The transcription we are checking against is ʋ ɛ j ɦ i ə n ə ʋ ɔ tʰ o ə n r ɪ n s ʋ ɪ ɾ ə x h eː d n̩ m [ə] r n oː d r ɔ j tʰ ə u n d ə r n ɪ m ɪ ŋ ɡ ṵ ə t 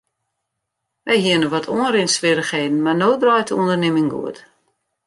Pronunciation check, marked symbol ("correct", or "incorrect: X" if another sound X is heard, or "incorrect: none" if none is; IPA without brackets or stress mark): incorrect: a